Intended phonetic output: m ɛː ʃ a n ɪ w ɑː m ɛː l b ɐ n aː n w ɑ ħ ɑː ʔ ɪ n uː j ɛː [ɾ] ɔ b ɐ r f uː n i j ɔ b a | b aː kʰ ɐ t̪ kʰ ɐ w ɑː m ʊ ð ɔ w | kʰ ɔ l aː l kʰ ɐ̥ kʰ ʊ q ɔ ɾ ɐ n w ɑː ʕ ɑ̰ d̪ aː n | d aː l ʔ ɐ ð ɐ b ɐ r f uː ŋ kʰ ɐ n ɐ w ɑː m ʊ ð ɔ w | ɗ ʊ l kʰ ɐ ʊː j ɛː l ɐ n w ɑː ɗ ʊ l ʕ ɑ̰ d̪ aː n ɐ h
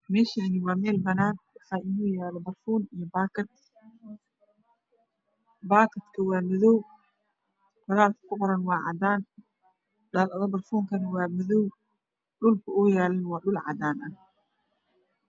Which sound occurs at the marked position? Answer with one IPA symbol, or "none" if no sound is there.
l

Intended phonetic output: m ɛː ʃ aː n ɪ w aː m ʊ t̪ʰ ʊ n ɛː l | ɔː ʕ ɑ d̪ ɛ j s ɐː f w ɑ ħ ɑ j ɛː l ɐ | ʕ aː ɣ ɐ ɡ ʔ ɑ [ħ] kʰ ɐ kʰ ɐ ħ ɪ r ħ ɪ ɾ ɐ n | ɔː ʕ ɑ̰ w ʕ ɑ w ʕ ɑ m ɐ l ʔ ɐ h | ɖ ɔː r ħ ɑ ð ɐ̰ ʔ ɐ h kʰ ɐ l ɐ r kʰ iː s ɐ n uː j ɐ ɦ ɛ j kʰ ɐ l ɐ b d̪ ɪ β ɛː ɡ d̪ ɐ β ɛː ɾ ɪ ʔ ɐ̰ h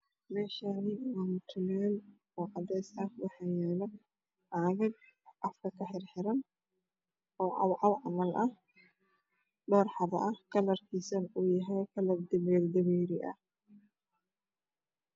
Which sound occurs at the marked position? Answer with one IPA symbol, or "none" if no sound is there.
f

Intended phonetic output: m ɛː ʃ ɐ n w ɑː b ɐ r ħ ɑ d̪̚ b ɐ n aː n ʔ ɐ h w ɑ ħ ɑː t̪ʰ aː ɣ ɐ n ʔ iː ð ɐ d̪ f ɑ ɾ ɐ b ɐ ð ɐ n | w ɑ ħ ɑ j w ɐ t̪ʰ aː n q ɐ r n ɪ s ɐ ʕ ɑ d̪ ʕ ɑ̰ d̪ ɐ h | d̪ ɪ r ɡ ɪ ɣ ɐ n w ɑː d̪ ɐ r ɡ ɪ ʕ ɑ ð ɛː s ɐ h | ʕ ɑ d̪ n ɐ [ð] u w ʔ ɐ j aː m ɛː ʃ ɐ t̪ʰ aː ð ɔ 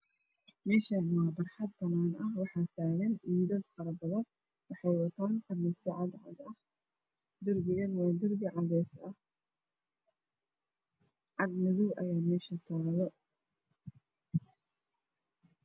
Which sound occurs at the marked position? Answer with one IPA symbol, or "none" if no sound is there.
ð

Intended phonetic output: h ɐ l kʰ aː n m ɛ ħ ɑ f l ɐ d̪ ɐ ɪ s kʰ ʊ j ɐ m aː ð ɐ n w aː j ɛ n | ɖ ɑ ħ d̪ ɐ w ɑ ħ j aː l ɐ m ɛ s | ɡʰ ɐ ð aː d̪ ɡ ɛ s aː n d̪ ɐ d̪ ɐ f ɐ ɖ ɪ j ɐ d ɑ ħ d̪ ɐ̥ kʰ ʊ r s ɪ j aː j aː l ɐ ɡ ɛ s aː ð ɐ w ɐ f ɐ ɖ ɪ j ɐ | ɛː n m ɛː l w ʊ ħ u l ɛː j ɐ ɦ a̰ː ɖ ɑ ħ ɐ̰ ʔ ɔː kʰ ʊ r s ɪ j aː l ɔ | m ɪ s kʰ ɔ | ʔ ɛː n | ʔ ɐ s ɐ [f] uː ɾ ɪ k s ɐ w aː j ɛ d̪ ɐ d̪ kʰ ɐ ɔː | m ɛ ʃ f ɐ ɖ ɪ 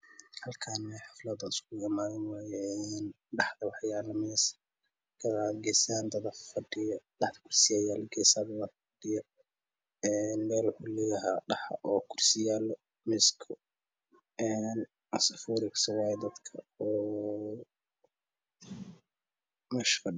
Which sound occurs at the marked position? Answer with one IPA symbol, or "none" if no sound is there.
f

